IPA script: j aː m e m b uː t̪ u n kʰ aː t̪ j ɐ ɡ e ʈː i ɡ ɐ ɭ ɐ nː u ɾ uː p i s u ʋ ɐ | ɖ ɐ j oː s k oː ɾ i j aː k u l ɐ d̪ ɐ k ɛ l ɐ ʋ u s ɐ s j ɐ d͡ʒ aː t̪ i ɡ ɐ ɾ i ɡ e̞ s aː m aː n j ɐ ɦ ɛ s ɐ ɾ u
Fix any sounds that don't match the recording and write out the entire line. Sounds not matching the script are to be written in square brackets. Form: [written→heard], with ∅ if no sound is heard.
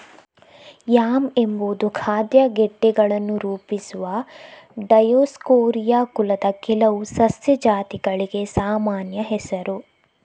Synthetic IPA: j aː m e m b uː [t̪→d̪] u [n→∅] kʰ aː [t̪→d̪] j ɐ ɡ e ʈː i ɡ ɐ ɭ ɐ nː u ɾ uː p i s u ʋ ɐ | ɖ ɐ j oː s k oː ɾ i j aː k u l ɐ d̪ ɐ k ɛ l ɐ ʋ u s ɐ s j ɐ d͡ʒ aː t̪ i ɡ ɐ [ɾ→ɭ] i ɡ e̞ s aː m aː n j ɐ ɦ ɛ s ɐ ɾ u

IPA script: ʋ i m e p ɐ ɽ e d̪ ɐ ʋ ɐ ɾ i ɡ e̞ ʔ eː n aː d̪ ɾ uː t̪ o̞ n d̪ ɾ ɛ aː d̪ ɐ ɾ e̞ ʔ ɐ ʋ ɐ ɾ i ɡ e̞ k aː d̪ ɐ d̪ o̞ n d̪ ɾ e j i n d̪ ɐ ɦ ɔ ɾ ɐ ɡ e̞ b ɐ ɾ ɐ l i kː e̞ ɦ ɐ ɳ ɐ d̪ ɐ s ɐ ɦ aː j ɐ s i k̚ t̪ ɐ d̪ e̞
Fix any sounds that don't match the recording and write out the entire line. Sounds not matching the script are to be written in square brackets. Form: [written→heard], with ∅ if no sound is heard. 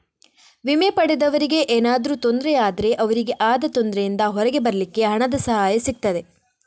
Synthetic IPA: ʋ i m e p ɐ ɽ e d̪ ɐ ʋ ɐ ɾ i ɡ e̞ ʔ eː n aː d̪ ɾ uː t̪ o̞ n d̪ ɾ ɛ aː d̪ ɐ ɾ e̞ ʔ ɐ ʋ ɐ ɾ i ɡ e̞ [k→ʔ] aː d̪ ɐ [d̪→t̪] o̞ n d̪ ɾ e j i n d̪ ɐ ɦ ɔ ɾ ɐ ɡ e̞ b ɐ ɾ ɐ l i kː e̞ ɦ ɐ ɳ ɐ d̪ ɐ s ɐ ɦ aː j ɐ s i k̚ t̪ ɐ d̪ e̞

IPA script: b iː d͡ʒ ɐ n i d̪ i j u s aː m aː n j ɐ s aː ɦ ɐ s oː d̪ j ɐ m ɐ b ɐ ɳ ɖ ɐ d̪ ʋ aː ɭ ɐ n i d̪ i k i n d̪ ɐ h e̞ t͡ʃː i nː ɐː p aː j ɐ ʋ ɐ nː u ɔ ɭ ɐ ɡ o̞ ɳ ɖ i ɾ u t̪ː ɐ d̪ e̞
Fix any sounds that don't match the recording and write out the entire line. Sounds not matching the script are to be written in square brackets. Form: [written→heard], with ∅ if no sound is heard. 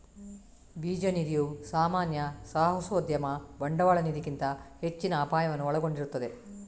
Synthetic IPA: b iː d͡ʒ ɐ n i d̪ i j u s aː m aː n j ɐ s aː ɦ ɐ s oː d̪ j ɐ m ɐ b ɐ ɳ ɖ ɐ [d̪→∅] ʋ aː ɭ ɐ n i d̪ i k i n [d̪→t̪] ɐ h e̞ t͡ʃː i [nː→n] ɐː p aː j ɐ ʋ ɐ nː u ɔ ɭ ɐ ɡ o̞ ɳ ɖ i ɾ u t̪ː ɐ d̪ e̞

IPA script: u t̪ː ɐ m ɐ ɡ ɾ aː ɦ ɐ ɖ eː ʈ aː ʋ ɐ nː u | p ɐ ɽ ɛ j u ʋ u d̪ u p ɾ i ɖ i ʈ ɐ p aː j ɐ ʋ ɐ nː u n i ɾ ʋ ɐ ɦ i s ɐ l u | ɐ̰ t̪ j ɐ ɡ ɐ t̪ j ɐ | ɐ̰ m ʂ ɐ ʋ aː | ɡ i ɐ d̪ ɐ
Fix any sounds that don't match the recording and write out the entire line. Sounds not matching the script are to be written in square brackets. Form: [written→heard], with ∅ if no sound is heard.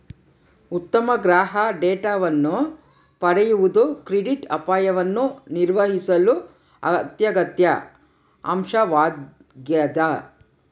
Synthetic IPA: u t̪ː ɐ m ɐ ɡ ɾ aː ɦ ɐ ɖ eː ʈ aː ʋ ɐ nː u | p ɐ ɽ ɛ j u ʋ u d̪ u [p→k] ɾ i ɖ i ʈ ɐ p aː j ɐ ʋ ɐ nː u n i ɾ ʋ ɐ ɦ i s ɐ l u | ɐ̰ t̪ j ɐ ɡ ɐ t̪ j ɐ | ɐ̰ m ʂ ɐ ʋ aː | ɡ [i→j] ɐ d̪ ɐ

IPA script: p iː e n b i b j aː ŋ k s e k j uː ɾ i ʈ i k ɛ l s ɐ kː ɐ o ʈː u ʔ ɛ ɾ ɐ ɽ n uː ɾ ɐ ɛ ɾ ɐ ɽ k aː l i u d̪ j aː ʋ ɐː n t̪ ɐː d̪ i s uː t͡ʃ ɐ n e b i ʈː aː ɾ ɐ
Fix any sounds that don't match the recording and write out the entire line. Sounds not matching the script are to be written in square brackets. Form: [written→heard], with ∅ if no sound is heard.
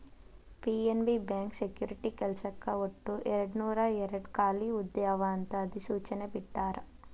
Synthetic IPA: p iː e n b i b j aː ŋ k s e k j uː ɾ i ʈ i k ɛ l s ɐ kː ɐ o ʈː u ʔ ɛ ɾ ɐ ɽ n uː ɾ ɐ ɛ ɾ ɐ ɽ k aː l i u d̪ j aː ʋ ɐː n t̪ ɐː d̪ i s uː t͡ʃ ɐ n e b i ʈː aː ɾ ɐ

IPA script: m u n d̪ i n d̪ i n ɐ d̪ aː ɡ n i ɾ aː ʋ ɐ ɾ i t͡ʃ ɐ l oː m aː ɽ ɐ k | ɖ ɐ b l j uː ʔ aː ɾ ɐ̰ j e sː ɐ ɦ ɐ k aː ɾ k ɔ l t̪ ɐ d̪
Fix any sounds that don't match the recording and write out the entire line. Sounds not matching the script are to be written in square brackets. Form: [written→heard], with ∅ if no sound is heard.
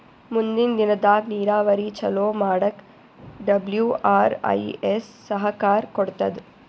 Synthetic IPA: m u n d̪ i n d̪ i n ɐ d̪ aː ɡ n [i→iː] ɾ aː ʋ ɐ ɾ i t͡ʃ ɐ l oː m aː ɽ ɐ k | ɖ ɐ b l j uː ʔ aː ɾ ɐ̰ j e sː ɐ ɦ ɐ k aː ɾ k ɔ [l→ɽ] t̪ ɐ d̪

